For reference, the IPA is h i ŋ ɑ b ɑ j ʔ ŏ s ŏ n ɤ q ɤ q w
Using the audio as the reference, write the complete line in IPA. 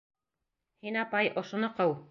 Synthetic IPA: h i n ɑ p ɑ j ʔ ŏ ʃ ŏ n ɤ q ɤ w